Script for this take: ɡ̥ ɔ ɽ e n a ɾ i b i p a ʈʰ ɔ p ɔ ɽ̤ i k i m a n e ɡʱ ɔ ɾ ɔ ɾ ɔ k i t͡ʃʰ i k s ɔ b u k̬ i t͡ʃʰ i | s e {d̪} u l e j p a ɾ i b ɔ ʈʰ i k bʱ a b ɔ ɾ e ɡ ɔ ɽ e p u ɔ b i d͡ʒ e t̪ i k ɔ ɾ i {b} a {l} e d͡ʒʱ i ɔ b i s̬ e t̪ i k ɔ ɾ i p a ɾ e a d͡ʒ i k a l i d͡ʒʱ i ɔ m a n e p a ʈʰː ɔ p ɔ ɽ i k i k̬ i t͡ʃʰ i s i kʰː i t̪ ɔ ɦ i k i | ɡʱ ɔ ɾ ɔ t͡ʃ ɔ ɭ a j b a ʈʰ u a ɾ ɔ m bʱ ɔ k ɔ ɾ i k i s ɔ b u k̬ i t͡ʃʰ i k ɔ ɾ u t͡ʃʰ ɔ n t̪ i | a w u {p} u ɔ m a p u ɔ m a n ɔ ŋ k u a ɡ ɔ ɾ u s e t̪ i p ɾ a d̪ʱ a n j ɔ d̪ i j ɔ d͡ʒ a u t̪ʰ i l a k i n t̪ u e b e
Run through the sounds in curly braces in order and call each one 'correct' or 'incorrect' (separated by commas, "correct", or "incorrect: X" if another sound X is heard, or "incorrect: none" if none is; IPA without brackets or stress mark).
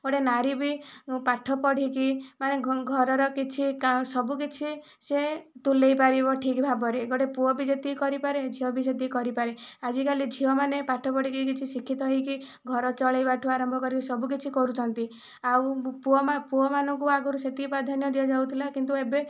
incorrect: t̪, incorrect: p, incorrect: ɾ, correct